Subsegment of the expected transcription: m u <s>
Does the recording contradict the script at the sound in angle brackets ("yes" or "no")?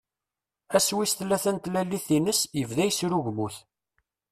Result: yes